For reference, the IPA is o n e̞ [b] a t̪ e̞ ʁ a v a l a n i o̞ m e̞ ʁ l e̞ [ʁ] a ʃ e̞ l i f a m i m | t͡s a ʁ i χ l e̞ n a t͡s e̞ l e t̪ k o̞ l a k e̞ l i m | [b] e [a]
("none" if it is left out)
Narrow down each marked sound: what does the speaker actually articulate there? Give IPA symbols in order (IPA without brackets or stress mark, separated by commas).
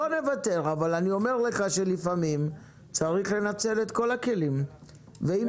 v, χ, v, i